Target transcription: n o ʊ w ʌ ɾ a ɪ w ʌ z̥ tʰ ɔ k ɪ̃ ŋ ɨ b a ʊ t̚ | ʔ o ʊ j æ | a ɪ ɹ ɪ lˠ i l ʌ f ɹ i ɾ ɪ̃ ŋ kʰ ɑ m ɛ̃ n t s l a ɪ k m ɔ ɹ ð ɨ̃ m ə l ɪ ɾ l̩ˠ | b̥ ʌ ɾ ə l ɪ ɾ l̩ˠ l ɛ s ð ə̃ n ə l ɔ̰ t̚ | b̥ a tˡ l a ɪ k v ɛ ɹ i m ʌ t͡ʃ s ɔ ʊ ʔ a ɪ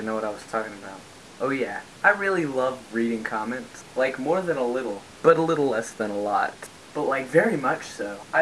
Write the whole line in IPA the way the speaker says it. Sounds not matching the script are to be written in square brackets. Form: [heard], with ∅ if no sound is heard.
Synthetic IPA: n o ʊ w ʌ ɾ a ɪ w ʌ z̥ tʰ ɔ k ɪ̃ ŋ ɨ b a ʊ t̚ | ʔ o ʊ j æ | a ɪ ɹ ɪ lˠ i l ʌ [v] ɹ i ɾ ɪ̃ ŋ kʰ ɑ m ɛ̃ n t s l a ɪ k m ɔ ɹ ð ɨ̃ [n] ə l ɪ ɾ l̩ˠ | b̥ ʌ ɾ ə l ɪ ɾ l̩ˠ l ɛ s ð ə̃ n ə l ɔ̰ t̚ | b̥ [ʌ] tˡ l a ɪ k v ɛ ɹ i m ʌ t͡ʃ s [o] ʊ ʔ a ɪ